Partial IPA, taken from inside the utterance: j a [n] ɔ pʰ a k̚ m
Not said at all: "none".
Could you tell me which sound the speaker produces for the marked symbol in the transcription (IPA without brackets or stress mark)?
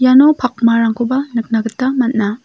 n